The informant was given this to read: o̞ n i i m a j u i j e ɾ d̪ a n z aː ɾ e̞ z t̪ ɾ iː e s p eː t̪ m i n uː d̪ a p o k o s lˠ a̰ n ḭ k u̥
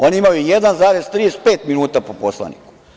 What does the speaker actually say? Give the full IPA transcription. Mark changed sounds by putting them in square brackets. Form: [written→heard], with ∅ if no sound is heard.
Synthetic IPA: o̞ n i i m a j u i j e [ɾ→∅] d̪ a n z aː ɾ e̞ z t̪ ɾ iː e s p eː t̪ m i n uː [d̪→t̪] a p o [k→p] o s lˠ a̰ n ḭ k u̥